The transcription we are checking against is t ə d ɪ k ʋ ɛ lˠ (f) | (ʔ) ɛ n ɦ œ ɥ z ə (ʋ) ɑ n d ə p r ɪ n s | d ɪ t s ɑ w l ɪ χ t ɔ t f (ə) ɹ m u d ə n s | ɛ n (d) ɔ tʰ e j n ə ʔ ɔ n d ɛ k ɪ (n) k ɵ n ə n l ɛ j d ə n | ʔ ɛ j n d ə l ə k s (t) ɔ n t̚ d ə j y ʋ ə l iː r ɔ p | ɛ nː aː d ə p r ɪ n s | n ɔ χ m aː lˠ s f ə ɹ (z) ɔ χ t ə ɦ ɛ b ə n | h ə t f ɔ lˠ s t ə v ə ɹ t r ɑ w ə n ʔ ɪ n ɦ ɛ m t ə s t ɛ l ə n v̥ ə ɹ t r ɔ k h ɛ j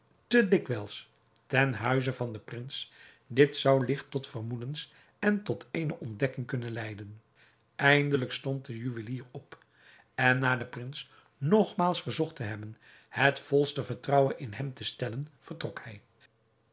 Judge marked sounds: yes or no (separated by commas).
no, no, no, yes, no, no, yes, yes